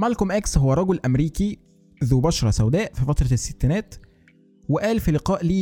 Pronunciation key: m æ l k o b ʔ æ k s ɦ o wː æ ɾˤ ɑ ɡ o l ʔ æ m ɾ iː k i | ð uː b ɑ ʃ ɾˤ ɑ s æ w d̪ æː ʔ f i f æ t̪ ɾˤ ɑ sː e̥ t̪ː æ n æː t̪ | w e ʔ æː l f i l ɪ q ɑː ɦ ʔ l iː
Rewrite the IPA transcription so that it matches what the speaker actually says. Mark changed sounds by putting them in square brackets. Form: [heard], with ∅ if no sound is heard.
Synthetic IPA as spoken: m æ l k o [m] ʔ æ k s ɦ o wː æ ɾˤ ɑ ɡ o l ʔ æ m ɾ iː k i | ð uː b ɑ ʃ ɾˤ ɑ s æ w d̪ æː ʔ f i f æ t̪ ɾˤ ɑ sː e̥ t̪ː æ n æː t̪ | w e ʔ æː l f i l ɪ q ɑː [∅] ʔ l iː